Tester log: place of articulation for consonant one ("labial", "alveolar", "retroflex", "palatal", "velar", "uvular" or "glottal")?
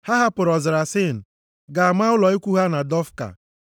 glottal